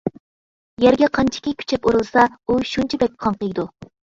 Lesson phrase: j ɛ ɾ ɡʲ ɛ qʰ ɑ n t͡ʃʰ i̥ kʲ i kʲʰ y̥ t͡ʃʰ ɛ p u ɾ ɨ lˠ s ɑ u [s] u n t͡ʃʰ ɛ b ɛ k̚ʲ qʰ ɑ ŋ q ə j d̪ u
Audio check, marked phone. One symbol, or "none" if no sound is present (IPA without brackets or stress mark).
ʃ